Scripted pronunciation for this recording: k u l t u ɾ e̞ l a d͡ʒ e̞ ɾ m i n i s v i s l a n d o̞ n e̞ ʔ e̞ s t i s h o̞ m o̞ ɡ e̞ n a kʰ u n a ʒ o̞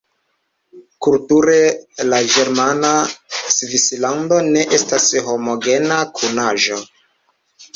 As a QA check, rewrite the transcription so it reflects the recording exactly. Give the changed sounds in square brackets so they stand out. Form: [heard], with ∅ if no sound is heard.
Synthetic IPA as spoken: k u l t u ɾ e̞ l a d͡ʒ e̞ ɾ m [a] n [a] s v i s l a n d o̞ n e̞ ʔ e̞ s t [a] s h o̞ m o̞ ɡ e̞ n a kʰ u n a ʒ o̞